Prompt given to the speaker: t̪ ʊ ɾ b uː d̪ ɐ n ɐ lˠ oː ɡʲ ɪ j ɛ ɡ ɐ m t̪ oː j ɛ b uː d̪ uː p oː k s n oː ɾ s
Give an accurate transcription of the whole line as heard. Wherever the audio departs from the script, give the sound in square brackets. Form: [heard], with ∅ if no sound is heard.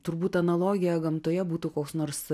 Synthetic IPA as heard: t̪ ʊ ɾ b uː [t̪] ɐ n ɐ lˠ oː ɡʲ ɪ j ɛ ɡ ɐ m t̪ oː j ɛ b uː [t̪] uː [k] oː k s n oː ɾ s